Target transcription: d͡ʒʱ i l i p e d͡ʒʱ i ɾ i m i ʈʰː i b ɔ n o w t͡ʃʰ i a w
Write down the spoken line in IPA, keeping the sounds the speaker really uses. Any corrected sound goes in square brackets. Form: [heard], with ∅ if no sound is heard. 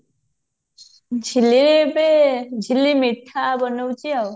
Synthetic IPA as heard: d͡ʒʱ i l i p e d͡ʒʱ i [l] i m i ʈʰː [a] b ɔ n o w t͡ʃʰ i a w